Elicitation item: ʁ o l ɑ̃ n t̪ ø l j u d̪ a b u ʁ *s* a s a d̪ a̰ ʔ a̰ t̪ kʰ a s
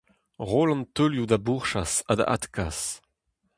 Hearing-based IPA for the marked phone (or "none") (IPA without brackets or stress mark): ʃ